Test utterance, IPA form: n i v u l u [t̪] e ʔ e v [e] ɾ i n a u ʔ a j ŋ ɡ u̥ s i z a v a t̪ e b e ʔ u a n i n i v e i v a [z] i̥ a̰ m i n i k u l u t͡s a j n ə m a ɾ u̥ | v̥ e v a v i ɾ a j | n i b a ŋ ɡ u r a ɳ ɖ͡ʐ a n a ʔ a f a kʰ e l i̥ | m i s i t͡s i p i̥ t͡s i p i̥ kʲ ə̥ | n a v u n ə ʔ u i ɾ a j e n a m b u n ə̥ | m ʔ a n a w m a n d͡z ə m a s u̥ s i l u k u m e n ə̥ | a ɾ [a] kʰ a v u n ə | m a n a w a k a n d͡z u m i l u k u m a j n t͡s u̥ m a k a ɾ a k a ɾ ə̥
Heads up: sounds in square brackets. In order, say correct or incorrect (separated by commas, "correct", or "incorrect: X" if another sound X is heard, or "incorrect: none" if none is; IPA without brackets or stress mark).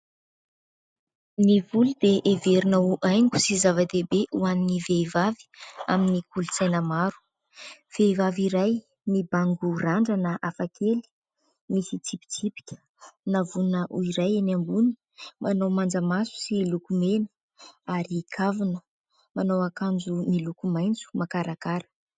incorrect: d̪, correct, incorrect: v, incorrect: i